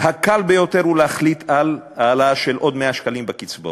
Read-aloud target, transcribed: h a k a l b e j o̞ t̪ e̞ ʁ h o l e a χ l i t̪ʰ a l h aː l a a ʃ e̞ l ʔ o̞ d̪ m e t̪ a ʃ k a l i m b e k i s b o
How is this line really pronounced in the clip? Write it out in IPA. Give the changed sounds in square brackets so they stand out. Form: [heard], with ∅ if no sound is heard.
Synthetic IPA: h a k a l b e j o̞ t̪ e̞ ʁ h [u] l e a χ l i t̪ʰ a l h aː l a a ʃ e̞ l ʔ o̞ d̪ m e [∅] a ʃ k a l i m b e k i [t͡s] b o